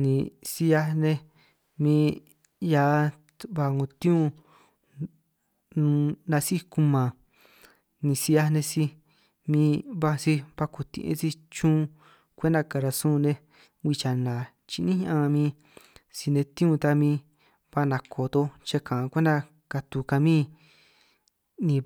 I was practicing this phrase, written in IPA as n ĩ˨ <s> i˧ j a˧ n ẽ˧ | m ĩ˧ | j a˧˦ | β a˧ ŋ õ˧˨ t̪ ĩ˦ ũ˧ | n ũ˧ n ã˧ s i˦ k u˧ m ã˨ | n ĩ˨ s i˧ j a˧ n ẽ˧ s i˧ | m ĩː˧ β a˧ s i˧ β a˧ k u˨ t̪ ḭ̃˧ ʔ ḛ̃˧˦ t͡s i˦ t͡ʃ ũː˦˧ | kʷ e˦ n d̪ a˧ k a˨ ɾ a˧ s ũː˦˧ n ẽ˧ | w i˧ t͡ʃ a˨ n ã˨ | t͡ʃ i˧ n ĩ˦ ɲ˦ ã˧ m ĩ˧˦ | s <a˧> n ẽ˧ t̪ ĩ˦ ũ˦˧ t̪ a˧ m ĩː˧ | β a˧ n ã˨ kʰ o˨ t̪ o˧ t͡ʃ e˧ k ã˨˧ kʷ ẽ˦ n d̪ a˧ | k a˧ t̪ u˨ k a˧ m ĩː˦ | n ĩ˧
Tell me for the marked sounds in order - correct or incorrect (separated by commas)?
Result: correct, incorrect